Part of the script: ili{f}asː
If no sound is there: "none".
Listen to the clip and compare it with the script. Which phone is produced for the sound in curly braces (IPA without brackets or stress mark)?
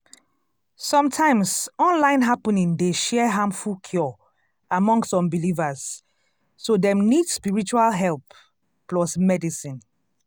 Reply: v